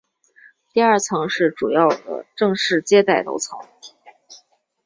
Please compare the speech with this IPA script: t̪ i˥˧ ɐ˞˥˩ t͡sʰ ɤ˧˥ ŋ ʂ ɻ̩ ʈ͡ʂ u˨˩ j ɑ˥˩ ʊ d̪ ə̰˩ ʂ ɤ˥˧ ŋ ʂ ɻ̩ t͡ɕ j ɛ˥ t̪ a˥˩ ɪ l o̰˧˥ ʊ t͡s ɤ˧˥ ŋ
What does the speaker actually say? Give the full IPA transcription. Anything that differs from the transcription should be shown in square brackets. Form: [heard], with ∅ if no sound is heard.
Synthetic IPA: t̪ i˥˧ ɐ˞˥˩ t͡sʰ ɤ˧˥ ŋ ʂ ɻ̩ ʈ͡ʂ u˨˩ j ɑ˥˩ ʊ d̪ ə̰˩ [ʈ͡ʂ] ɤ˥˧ ŋ ʂ ɻ̩ t͡ɕ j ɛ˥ t̪ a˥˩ ɪ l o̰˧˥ ʊ [t͡sʰ] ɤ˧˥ ŋ